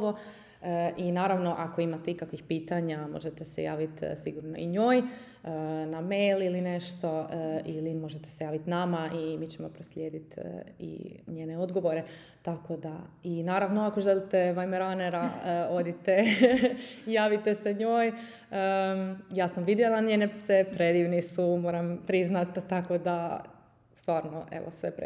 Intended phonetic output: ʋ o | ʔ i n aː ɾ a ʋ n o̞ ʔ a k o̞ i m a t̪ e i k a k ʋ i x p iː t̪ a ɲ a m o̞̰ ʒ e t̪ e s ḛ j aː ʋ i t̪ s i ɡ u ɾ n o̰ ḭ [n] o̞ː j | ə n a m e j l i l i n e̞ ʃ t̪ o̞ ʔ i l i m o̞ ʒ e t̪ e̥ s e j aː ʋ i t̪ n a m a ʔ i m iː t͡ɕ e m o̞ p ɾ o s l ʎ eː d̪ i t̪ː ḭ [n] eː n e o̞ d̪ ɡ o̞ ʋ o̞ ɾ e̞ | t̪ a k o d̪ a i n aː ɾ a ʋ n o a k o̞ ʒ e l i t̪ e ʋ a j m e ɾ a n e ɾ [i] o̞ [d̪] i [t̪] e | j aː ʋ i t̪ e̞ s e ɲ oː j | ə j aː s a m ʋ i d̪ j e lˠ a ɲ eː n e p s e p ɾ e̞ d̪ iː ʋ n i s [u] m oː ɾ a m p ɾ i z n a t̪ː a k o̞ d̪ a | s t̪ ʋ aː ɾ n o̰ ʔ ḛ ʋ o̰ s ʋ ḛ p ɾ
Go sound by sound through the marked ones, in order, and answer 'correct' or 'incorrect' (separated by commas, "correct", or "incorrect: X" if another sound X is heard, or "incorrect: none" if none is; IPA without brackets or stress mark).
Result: incorrect: ɲ, incorrect: ɲ, incorrect: a, correct, correct, correct